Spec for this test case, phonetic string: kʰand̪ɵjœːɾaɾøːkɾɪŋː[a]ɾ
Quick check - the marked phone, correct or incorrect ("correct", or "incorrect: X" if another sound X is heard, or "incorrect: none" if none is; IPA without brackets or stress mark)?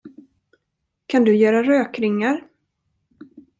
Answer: correct